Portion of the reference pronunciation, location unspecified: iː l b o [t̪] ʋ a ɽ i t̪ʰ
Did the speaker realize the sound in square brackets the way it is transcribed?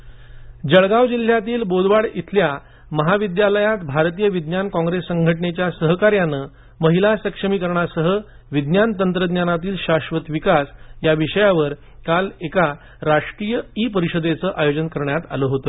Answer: no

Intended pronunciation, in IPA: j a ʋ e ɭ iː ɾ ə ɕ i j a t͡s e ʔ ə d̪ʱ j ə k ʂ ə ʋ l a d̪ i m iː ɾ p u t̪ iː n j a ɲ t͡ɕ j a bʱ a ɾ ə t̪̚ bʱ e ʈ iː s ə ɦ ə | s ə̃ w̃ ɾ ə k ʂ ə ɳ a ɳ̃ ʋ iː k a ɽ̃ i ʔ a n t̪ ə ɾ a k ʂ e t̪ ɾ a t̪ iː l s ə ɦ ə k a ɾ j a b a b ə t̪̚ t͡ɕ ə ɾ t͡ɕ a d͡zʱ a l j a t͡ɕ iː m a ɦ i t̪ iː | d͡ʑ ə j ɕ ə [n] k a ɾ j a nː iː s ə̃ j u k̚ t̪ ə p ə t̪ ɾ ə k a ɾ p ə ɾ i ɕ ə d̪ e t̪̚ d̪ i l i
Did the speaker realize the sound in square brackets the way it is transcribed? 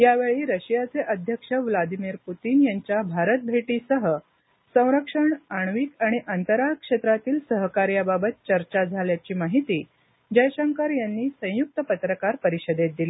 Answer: no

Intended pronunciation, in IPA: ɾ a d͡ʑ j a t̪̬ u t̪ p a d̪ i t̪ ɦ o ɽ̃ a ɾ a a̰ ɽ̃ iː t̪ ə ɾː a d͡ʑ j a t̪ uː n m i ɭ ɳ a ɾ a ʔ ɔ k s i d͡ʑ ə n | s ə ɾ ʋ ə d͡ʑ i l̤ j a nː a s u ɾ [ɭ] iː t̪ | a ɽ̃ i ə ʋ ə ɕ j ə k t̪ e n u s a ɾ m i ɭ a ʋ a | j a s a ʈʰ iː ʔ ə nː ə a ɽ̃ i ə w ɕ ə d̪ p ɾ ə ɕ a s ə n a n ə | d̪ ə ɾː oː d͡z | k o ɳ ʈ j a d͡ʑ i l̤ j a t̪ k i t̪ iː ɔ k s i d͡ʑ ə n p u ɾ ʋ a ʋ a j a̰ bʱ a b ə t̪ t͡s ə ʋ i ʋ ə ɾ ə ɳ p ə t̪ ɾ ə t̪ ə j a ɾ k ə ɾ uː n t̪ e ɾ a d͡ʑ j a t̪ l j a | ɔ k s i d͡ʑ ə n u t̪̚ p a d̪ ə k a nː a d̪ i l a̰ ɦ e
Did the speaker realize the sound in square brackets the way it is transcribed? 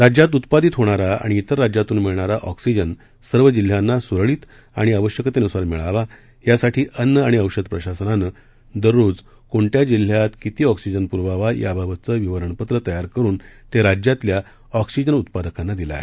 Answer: yes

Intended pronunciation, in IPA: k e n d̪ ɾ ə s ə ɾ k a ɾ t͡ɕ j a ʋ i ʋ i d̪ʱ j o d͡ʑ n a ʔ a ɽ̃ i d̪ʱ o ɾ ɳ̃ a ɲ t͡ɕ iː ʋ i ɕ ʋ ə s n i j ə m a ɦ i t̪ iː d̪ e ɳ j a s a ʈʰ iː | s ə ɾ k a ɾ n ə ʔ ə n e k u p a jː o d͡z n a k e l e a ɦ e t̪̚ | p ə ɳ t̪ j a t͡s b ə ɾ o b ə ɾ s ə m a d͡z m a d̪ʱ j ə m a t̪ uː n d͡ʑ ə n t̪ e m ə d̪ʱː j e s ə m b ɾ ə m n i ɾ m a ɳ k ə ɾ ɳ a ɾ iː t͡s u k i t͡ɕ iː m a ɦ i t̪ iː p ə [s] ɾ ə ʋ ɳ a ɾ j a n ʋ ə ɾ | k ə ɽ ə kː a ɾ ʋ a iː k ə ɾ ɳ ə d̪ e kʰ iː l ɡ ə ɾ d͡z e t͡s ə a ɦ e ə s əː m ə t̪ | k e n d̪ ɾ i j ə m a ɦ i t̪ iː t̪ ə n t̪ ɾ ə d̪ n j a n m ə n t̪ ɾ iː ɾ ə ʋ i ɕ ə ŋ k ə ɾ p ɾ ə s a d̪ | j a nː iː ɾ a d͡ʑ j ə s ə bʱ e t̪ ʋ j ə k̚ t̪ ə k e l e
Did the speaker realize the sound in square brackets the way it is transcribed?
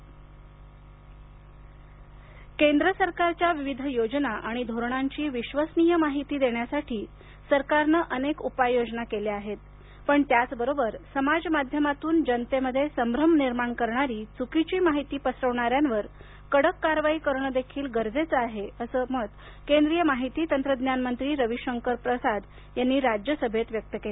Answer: yes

